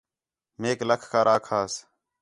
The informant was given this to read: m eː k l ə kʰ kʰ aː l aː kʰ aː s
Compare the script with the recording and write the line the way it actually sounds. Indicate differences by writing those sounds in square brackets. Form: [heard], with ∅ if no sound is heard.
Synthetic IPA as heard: m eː k l ə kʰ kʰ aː [ɾ] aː kʰ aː s

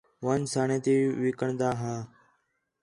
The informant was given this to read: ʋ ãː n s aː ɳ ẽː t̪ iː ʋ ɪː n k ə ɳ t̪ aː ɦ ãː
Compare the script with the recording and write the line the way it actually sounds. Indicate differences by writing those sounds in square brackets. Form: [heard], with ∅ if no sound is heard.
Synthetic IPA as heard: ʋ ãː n s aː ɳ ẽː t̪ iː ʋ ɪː [∅] k ə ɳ [d̪] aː ɦ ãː

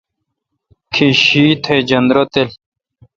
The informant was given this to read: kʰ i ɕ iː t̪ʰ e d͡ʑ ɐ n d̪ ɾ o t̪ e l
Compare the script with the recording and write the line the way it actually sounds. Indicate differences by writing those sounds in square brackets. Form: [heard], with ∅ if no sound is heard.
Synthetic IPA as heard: kʰ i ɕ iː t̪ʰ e d͡ʑ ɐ n d̪ ɾ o t̪ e l

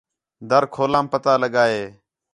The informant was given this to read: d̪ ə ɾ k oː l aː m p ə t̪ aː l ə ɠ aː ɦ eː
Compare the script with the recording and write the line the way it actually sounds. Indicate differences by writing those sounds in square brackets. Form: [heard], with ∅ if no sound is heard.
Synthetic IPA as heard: d̪ ə ɾ [kʰ] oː l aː m p ə t̪ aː l ə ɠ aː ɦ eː

